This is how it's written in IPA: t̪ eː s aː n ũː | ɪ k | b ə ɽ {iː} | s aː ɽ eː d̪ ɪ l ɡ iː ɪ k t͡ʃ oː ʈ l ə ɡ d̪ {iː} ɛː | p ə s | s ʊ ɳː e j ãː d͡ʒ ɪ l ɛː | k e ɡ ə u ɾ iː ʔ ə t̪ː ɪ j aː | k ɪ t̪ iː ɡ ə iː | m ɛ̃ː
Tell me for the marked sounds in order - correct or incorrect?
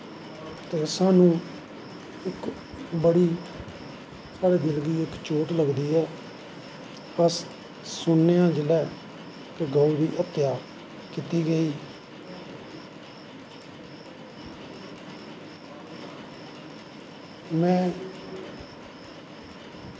correct, correct

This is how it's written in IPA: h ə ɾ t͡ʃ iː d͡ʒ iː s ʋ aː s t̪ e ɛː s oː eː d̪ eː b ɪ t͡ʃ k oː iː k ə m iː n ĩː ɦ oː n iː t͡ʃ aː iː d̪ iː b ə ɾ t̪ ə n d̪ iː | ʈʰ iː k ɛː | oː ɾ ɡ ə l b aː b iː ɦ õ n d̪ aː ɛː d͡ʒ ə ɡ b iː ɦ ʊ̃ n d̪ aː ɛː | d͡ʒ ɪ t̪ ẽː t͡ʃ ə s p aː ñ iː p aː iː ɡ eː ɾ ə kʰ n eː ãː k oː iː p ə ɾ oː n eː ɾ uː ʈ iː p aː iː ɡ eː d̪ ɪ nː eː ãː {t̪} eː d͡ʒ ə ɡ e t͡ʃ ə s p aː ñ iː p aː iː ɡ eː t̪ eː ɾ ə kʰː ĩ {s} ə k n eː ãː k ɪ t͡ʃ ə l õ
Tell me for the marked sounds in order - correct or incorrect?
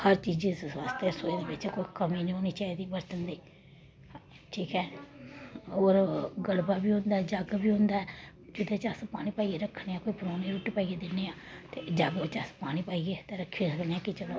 correct, correct

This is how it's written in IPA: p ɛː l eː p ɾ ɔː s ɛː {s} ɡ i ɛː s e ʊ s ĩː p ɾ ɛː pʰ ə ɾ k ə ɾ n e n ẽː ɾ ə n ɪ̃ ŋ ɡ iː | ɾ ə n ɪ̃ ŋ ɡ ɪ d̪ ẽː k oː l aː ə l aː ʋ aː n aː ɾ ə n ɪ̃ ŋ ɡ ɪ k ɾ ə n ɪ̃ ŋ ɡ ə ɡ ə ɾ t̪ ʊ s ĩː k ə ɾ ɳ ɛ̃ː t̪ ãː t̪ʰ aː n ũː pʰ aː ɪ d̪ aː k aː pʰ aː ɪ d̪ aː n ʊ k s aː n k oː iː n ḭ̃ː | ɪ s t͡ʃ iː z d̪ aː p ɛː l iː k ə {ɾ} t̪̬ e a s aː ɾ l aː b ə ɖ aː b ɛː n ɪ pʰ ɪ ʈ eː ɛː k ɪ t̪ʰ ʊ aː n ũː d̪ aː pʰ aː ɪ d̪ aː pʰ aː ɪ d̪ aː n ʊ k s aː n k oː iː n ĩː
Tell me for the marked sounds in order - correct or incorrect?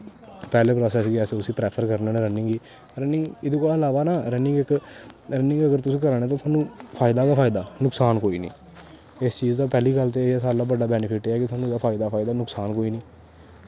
correct, incorrect

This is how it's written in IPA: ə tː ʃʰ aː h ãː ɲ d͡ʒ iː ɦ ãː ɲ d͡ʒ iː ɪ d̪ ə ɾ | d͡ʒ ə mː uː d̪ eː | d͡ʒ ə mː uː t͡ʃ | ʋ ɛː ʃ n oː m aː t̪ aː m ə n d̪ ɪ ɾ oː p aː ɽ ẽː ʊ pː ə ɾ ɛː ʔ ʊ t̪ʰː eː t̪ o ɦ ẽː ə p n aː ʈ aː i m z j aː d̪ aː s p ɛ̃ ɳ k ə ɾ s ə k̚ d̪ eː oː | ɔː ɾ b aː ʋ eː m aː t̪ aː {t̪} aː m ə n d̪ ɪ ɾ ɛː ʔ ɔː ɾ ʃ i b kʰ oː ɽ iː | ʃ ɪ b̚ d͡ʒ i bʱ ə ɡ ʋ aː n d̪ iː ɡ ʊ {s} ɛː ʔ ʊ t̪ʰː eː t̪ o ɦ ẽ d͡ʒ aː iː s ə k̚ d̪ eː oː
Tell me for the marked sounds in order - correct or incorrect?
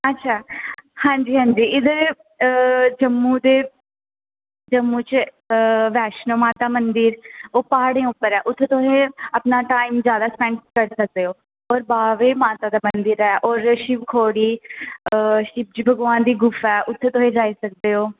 incorrect, incorrect

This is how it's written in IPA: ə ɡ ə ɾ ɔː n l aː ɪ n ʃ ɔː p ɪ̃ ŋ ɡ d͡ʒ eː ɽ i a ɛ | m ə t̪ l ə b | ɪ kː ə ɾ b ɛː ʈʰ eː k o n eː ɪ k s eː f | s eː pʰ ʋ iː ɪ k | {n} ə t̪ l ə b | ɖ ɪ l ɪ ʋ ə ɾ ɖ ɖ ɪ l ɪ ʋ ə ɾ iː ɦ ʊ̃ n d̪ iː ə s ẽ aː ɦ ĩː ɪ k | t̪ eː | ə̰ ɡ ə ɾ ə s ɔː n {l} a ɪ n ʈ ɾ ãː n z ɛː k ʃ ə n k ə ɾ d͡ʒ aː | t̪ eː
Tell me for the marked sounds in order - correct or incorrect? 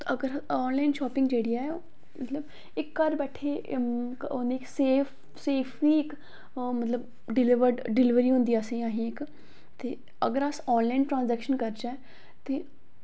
incorrect, correct

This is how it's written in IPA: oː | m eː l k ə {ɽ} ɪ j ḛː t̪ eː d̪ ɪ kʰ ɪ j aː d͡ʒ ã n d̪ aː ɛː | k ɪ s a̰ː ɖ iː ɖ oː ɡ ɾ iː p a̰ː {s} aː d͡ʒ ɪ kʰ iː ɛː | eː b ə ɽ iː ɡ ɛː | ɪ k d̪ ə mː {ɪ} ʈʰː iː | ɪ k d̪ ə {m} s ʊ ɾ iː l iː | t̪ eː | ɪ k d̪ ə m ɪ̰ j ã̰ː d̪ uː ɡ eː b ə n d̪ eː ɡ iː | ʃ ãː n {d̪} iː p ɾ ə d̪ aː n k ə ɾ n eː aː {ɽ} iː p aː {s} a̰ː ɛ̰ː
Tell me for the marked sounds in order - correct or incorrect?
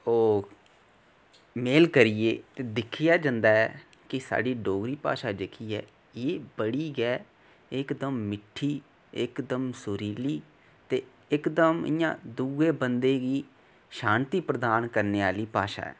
incorrect, incorrect, correct, correct, incorrect, incorrect, incorrect

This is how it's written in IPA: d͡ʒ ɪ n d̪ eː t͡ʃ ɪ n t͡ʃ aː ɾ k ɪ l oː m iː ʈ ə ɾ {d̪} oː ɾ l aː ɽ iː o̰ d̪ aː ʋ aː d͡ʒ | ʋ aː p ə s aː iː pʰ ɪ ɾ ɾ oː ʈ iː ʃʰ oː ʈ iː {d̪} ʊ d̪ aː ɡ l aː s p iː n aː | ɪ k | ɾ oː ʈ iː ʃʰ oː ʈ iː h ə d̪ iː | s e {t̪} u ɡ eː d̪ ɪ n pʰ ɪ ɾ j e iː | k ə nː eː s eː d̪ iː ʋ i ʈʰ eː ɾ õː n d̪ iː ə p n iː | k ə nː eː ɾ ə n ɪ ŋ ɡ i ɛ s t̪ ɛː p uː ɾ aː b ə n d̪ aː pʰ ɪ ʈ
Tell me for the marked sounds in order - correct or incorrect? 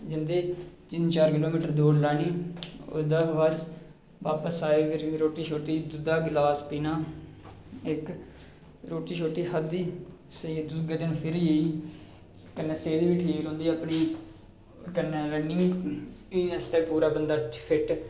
correct, correct, incorrect

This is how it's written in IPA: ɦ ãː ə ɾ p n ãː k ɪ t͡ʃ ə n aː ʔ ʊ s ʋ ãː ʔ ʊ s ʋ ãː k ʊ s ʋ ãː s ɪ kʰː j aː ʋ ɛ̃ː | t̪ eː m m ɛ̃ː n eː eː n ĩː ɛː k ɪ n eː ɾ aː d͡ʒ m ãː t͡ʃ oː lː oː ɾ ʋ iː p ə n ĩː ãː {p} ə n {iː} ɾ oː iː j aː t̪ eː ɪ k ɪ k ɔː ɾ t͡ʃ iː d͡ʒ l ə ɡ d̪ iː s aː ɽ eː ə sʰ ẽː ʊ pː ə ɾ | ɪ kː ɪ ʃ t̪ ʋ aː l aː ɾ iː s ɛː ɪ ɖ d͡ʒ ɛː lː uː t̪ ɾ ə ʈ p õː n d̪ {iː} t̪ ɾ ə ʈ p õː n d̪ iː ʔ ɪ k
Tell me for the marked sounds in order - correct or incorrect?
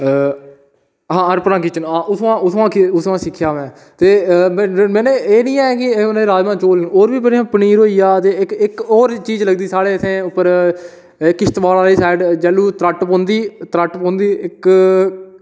correct, correct, correct

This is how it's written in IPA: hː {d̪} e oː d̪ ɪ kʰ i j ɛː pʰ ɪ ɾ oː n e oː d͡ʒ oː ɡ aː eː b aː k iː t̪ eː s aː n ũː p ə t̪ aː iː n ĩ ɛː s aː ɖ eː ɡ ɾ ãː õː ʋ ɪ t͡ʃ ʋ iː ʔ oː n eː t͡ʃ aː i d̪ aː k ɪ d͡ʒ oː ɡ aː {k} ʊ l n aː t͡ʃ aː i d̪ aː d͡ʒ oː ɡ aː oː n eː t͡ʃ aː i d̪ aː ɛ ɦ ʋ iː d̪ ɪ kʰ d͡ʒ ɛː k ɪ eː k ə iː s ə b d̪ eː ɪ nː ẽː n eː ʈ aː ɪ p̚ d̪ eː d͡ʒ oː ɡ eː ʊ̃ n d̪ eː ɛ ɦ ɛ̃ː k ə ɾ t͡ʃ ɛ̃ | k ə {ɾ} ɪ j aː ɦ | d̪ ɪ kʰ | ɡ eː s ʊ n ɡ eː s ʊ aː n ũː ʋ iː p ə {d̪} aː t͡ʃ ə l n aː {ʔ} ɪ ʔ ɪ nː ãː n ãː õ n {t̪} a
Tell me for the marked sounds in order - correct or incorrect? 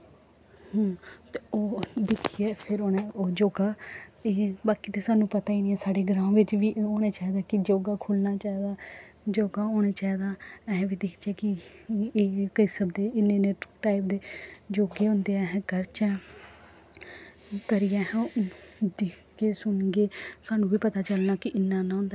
incorrect, incorrect, correct, incorrect, incorrect, incorrect

